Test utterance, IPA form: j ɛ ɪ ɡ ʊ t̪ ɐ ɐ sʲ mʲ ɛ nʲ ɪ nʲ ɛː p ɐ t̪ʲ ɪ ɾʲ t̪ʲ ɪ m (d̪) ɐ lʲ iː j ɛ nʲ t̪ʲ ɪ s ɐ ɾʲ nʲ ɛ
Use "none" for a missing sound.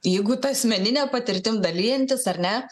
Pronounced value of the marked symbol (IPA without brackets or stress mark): d̪